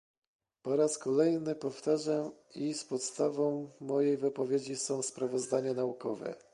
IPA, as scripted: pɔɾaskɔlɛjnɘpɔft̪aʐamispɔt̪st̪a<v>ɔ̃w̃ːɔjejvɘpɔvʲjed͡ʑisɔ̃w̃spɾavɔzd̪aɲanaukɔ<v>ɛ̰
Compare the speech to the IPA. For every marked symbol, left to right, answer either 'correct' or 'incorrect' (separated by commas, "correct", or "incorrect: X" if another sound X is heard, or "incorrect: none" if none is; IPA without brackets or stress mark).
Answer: correct, correct